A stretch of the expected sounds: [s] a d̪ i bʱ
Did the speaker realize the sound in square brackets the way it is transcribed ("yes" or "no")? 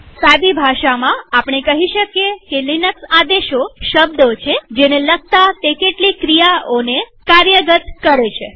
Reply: yes